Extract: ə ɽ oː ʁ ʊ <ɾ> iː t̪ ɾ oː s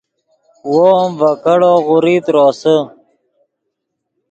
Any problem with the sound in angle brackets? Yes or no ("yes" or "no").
no